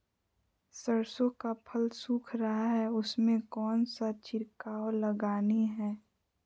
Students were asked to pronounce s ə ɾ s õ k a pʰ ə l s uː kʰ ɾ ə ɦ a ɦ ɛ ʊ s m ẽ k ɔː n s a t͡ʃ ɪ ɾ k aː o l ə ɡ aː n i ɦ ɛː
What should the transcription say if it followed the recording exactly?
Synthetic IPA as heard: s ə ɾ s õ k a pʰ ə l s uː kʰ ɾ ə ɦ a ɦ ɛ ʊ s m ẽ k ɔː n s a t͡ʃ ɪ ɾ k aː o l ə ɡ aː n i ɦ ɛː